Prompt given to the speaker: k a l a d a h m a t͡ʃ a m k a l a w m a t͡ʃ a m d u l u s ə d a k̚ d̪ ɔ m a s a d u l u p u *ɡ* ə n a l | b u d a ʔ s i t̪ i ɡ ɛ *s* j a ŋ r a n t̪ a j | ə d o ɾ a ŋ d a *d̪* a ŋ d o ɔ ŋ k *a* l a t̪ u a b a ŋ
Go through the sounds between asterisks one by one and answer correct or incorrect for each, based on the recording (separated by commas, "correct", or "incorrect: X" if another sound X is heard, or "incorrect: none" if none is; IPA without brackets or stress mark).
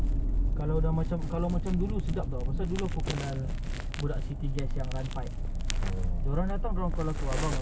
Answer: incorrect: k, correct, incorrect: t̪, correct